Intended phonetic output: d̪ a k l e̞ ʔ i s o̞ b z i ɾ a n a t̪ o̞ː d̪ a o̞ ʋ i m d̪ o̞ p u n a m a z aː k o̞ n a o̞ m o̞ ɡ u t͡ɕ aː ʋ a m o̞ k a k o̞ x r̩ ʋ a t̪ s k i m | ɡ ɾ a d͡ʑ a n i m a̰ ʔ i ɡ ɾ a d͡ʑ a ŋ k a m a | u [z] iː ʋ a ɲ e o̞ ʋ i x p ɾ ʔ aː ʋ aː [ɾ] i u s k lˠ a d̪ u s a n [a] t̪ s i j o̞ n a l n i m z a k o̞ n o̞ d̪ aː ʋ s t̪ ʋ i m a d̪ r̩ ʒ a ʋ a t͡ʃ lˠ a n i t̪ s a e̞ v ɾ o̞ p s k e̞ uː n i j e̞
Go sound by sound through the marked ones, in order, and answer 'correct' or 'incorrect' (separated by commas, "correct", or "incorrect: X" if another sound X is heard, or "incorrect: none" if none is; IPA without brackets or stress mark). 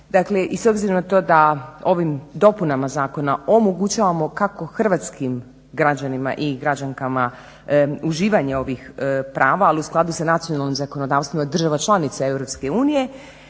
incorrect: ʒ, incorrect: l, correct